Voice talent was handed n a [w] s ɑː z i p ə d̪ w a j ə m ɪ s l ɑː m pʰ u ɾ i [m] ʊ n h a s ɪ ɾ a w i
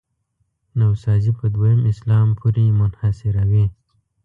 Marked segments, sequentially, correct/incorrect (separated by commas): correct, correct